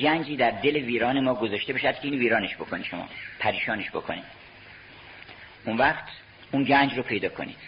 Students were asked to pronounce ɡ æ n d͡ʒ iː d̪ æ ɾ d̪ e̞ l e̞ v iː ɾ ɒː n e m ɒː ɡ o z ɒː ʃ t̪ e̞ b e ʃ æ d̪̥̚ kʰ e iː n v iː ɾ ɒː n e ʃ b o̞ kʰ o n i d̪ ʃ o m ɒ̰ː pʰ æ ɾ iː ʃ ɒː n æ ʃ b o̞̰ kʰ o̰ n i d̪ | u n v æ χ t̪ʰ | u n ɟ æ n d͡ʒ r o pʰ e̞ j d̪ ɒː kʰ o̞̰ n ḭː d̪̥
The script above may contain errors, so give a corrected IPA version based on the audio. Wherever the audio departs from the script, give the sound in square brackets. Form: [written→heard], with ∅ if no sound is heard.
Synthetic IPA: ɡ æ n d͡ʒ iː d̪ æ ɾ d̪ e̞ l e̞ v iː ɾ ɒː n e m ɒː ɡ o z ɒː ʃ t̪ e̞ b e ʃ æ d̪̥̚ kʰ e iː n v iː ɾ ɒː n e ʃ b o̞ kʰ o n i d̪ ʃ o m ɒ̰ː pʰ æ ɾ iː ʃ ɒː n [æ→e] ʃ b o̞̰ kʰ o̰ n i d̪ | u n v æ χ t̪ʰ | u n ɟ æ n d͡ʒ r o pʰ e̞ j d̪ ɒː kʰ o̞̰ n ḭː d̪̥